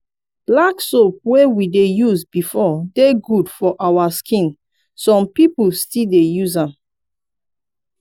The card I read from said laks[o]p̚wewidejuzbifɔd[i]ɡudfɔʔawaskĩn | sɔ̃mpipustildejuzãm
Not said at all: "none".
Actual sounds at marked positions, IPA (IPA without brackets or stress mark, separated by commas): o, e